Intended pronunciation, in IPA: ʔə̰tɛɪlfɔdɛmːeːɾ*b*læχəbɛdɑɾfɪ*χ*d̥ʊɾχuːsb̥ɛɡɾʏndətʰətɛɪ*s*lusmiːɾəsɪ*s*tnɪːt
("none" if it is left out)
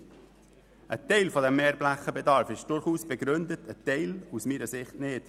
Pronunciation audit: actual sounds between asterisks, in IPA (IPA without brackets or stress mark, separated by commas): b, ʃ, none, χ